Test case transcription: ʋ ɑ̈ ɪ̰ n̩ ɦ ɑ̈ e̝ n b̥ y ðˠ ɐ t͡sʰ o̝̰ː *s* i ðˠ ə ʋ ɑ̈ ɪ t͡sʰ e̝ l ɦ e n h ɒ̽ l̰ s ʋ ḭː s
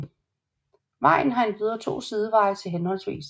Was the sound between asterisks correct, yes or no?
yes